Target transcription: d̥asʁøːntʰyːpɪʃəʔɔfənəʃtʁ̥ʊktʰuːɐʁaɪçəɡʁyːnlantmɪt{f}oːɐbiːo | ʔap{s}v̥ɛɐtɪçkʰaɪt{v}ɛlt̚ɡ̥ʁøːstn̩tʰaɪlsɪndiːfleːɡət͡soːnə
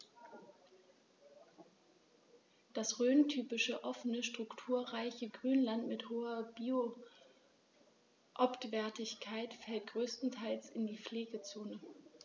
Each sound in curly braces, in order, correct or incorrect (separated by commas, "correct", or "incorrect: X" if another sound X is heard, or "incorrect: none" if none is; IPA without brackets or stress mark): incorrect: h, incorrect: t, incorrect: f